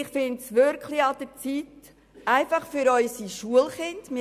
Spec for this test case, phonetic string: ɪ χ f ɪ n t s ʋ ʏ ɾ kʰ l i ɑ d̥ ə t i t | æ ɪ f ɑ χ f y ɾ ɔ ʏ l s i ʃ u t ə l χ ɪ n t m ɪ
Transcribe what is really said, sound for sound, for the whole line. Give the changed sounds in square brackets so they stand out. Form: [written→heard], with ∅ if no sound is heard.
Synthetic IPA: ɪ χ f ɪ n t s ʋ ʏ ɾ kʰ l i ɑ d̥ ə [t→t͡s] i t | æ ɪ f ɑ χ f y ɾ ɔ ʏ [l→∅] s i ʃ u [t→∅] ə l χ ɪ n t m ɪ